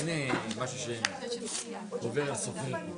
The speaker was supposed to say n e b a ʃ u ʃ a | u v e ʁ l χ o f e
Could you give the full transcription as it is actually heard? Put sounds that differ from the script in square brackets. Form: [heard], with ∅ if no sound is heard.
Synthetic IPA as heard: n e [m] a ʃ u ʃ [e] | [o] v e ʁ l [s] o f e